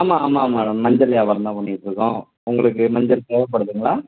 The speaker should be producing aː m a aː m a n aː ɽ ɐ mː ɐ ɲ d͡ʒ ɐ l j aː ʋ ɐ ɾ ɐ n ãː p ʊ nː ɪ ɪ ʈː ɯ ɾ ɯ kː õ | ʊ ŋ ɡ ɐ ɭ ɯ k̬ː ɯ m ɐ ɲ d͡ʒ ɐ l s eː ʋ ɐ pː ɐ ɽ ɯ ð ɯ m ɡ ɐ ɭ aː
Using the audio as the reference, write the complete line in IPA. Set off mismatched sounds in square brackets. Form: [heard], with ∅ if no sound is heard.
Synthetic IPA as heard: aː m a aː m a [m] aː ɽ ɐ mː ɐ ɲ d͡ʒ ɐ l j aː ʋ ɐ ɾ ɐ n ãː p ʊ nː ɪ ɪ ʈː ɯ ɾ ɯ kː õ | ʊ ŋ ɡ ɐ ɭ ɯ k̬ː ɯ m ɐ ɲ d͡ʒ ɐ l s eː ʋ ɐ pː ɐ ɽ ɯ ð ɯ [ŋ] ɡ ɐ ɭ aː